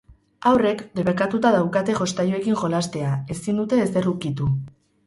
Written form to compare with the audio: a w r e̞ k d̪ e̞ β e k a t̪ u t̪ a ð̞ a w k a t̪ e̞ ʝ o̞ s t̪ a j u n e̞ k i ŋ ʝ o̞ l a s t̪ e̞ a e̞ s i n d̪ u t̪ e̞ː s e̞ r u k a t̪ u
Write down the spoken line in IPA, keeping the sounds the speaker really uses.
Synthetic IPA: a w r e̞ k d̪ e̞ β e k a t̪ u t̪ a ð̞ a w k a t̪ e̞ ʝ o̞ s t̪ a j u e̞ k i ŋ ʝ o̞ l a s t̪ e̞ a e̞ s i n d̪ u t̪ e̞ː s e̞ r u k i t̪ u